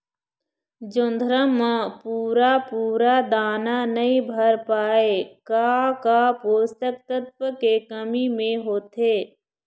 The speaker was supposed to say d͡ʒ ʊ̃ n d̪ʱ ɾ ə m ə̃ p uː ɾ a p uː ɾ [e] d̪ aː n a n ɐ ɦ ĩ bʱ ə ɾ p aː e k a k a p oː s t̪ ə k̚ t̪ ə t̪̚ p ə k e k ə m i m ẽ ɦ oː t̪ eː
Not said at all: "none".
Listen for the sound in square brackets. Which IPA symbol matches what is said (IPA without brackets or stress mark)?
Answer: a